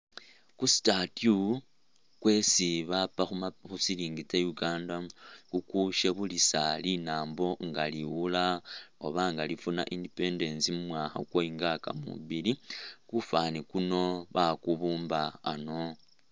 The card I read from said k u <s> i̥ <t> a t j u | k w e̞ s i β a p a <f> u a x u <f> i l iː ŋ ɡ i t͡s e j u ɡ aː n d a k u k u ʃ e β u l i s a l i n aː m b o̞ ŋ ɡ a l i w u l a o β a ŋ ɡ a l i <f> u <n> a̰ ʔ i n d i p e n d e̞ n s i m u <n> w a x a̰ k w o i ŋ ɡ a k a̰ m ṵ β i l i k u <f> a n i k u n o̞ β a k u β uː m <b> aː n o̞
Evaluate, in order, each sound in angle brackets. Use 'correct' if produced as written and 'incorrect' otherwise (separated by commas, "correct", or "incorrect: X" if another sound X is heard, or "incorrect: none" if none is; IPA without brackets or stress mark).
correct, correct, incorrect: x, incorrect: s, correct, correct, incorrect: m, correct, correct